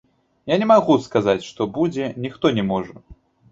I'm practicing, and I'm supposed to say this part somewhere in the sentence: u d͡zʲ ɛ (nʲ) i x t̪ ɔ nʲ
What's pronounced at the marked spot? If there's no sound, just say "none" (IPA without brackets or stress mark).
nʲ